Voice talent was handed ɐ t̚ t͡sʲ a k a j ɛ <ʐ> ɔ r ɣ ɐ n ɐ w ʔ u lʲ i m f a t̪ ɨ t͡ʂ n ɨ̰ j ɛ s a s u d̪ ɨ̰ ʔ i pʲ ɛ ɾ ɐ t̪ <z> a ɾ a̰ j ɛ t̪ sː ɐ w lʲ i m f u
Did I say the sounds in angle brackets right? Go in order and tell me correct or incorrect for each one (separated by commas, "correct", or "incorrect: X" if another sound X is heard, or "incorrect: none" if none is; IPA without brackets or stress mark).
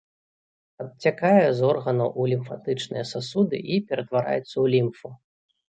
incorrect: z, incorrect: v